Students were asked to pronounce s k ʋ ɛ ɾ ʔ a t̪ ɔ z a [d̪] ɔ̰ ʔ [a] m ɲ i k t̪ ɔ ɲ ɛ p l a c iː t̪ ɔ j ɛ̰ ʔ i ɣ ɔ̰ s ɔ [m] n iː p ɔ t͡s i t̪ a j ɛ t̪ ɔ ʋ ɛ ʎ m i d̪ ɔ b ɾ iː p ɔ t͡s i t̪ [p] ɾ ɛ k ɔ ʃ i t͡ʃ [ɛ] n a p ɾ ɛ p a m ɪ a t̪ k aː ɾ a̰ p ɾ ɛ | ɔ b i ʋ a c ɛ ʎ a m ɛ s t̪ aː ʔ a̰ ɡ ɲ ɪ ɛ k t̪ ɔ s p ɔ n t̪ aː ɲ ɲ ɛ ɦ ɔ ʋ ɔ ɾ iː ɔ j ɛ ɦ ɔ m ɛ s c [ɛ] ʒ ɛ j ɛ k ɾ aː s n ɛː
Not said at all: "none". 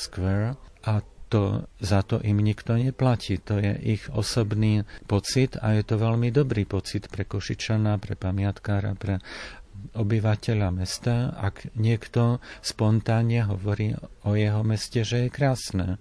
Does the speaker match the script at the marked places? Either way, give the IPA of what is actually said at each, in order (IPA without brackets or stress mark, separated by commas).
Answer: t̪, i, b, p, a, ɛ